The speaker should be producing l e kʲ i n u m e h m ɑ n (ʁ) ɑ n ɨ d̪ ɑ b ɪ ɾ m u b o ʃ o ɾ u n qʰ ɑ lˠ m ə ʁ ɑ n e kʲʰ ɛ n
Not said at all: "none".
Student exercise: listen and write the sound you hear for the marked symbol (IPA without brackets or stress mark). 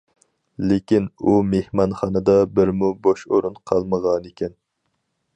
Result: χ